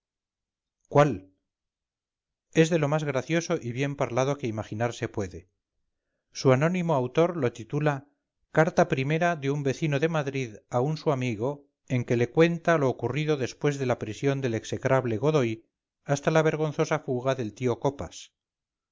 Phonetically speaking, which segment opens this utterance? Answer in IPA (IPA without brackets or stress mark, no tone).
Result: k